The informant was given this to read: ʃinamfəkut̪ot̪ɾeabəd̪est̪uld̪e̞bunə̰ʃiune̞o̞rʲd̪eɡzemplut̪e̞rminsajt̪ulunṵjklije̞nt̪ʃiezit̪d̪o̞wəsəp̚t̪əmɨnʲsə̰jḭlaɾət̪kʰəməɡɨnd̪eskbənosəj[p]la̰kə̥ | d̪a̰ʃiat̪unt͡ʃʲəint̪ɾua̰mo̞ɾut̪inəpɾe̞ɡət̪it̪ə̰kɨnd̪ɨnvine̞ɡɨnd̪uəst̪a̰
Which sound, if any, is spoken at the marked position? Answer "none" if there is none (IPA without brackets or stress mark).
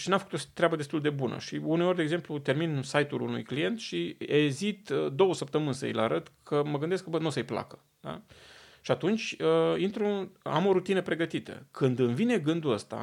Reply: p